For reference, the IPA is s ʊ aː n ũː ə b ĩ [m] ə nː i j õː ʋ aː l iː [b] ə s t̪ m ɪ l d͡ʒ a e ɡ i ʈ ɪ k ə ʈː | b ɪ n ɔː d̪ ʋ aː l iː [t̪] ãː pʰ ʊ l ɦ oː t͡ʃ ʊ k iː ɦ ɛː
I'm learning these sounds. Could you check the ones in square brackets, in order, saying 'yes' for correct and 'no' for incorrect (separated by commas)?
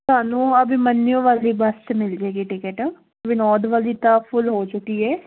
yes, yes, yes